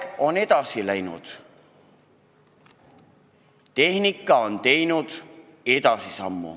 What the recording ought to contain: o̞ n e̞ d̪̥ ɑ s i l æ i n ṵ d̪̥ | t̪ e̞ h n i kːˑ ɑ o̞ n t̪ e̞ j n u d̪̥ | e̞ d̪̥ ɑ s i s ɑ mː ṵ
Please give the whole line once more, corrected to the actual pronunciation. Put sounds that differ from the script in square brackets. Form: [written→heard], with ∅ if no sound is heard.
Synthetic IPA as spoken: o̞ n e̞ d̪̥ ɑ s i l æ [i→j] n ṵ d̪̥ | t̪ e̞ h n i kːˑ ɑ o̞ n t̪ e̞ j n u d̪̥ | e̞ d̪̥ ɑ s i s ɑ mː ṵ